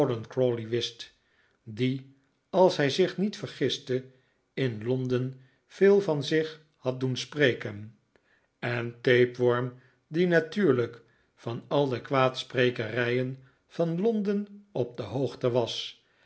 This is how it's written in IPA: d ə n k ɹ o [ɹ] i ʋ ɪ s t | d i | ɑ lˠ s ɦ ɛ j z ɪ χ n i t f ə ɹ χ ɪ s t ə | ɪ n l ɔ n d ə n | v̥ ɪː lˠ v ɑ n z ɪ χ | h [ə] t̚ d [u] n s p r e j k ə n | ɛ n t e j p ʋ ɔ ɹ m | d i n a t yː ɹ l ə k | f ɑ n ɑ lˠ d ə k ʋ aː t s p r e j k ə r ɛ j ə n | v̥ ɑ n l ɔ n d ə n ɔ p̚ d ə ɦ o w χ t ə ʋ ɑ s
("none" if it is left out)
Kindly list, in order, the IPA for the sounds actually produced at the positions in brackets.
l, ɑ, u

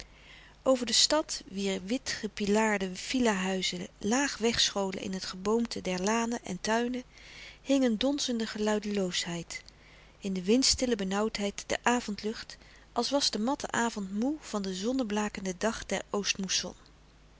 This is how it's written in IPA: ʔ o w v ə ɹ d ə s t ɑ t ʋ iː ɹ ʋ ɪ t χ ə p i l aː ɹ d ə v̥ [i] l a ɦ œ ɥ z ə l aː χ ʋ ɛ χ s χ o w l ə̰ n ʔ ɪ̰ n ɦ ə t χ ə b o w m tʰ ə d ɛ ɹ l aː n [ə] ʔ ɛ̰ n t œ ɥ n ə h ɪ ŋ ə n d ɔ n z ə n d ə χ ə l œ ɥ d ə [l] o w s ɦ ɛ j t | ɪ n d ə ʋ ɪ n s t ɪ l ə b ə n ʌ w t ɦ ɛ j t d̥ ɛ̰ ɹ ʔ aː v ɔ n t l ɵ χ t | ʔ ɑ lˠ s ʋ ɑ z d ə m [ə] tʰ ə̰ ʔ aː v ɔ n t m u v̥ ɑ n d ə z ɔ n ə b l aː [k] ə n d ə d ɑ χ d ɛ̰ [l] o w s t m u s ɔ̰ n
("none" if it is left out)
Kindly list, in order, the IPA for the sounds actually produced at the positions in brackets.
i, ə, l, ɑ, k, ɹ

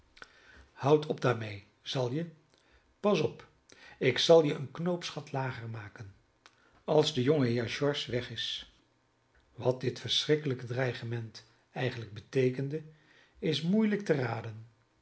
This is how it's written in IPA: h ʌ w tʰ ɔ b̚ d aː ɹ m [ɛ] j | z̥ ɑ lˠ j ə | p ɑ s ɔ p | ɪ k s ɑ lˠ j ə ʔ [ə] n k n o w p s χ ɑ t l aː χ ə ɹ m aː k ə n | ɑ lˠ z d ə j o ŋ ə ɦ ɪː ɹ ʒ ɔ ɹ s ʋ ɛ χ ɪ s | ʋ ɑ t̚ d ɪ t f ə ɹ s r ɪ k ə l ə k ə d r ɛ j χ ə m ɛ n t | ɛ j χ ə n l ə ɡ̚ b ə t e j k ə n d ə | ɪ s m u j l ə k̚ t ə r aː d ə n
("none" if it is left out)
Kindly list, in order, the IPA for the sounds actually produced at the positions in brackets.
e, ə

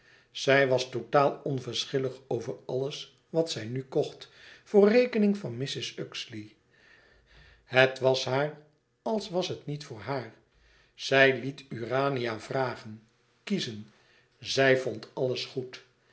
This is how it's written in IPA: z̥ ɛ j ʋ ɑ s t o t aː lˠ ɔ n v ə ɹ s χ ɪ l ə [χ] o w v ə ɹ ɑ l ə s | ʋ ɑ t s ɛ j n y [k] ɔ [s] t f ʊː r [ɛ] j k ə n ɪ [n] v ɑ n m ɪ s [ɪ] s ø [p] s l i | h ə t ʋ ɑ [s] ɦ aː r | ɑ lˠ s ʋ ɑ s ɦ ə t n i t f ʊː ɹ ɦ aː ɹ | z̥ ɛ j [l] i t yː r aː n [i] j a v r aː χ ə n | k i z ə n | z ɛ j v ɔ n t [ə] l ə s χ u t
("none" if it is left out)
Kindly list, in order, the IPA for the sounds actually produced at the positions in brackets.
χ, k, χ, e, ŋ, ɪ, k, s, l, i, ɑ

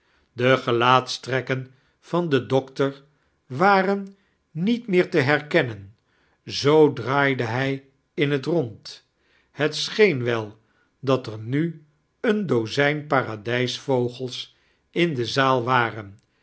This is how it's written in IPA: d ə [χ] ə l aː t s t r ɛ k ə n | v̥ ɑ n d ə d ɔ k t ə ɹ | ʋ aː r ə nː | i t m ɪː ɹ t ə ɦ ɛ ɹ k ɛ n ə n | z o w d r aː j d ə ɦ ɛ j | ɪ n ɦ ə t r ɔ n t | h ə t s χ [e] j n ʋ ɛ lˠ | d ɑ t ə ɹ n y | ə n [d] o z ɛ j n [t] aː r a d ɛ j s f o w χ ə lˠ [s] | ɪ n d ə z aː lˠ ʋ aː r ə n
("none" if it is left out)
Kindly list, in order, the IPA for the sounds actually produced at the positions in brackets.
χ, e, d, p, s

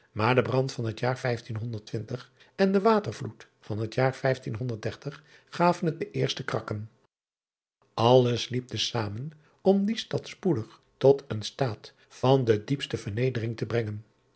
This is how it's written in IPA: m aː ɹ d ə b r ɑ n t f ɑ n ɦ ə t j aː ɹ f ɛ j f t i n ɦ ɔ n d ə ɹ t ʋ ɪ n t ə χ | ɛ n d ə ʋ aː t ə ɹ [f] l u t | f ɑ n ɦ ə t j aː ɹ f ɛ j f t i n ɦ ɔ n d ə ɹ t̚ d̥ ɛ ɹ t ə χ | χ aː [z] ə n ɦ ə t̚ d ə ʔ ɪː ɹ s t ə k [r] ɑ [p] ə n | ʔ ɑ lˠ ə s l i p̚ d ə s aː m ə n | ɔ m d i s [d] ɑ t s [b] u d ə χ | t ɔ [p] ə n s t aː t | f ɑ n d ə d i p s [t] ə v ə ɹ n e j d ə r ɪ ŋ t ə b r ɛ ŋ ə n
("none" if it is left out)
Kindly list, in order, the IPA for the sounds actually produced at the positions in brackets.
v, v, r, k, t, p, t, t

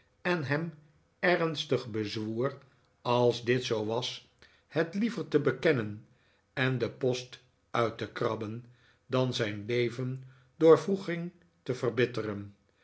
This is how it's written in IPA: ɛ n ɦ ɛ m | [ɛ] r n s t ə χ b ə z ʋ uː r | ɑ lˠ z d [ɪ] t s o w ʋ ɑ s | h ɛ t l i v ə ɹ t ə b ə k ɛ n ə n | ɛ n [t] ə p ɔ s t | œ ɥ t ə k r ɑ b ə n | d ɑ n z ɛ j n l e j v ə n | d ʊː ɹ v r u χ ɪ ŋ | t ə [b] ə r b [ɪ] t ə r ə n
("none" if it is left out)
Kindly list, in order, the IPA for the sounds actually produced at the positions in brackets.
ɛ, ɪ, d, v, ɪ

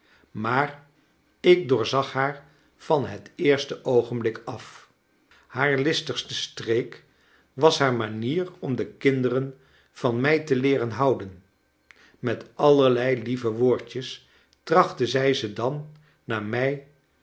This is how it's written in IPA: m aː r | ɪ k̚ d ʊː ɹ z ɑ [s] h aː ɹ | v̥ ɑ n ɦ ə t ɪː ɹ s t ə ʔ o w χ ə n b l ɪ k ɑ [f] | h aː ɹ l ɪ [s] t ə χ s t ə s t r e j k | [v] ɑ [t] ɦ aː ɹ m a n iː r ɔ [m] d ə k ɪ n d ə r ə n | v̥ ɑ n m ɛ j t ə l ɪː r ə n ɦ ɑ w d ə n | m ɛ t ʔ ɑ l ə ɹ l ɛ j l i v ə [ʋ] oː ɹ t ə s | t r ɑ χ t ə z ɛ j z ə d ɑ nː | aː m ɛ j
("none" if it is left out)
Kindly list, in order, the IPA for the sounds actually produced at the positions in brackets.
χ, f, s, ʋ, s, m, ʋ

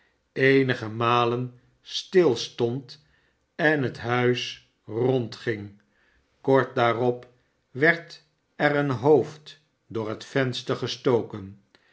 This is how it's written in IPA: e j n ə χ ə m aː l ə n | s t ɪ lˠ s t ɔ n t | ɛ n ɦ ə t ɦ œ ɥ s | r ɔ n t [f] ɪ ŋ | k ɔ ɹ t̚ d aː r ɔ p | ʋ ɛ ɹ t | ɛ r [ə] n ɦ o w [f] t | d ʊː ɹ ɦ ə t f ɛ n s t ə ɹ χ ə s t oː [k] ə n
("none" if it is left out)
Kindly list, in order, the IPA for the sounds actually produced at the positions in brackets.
χ, ə, f, k

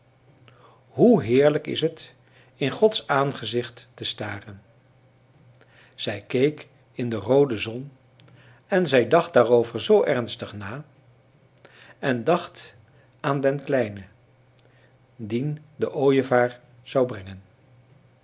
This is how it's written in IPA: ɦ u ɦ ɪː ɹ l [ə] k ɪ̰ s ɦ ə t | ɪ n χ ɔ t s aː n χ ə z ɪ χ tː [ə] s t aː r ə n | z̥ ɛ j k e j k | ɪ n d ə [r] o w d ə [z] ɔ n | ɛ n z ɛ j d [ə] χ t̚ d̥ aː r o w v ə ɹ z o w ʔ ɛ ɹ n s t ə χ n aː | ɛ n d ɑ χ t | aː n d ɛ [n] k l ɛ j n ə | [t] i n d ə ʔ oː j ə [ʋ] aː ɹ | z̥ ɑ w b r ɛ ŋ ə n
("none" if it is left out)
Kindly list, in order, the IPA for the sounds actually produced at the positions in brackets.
ə, ə, r, z, ɑ, n, d, v

